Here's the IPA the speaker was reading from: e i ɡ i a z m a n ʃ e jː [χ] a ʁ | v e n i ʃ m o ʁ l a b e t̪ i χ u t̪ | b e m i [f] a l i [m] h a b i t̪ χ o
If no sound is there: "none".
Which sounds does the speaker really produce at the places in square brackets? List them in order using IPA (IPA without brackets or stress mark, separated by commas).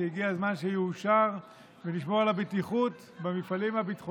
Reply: ʃ, f, m